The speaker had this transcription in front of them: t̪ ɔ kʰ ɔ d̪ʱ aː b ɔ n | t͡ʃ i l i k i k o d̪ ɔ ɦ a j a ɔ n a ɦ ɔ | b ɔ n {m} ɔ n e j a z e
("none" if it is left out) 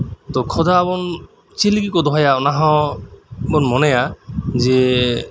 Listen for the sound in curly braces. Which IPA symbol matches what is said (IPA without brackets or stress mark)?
m